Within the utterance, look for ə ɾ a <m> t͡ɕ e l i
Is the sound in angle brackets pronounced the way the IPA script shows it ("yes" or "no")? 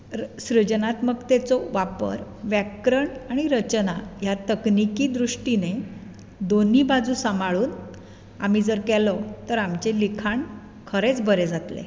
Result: yes